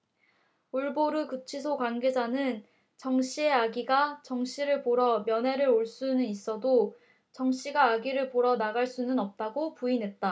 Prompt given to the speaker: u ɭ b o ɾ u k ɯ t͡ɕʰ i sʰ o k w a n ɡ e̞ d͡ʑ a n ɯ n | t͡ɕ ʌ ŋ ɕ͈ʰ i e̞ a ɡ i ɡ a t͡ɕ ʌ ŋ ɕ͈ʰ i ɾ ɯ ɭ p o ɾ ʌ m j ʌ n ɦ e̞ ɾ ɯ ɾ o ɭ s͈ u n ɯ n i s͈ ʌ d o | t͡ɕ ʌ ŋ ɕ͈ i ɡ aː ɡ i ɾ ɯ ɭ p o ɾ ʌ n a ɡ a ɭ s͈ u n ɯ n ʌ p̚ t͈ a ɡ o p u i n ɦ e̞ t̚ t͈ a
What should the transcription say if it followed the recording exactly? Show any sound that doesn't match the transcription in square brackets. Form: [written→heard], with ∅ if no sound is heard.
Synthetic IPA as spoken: u ɭ b o ɾ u k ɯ t͡ɕʰ i sʰ o k w a n ɡ e̞ d͡ʑ a n ɯ n | t͡ɕ ʌ ŋ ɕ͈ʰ i e̞ a ɡ i ɡ a t͡ɕ ʌ ŋ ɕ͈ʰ i ɾ ɯ ɭ p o ɾ ʌ m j ʌ n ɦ e̞ ɾ ɯ ɾ o ɭ s͈ u n ɯ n i s͈ ʌ d o | t͡ɕ ʌ ŋ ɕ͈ i ɡ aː ɡ i ɾ ɯ ɭ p o ɾ ʌ n a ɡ a ɭ s͈ u n ɯ n ʌ p̚ t͈ a ɡ o p u i n ɦ e̞ t̚ t͈ a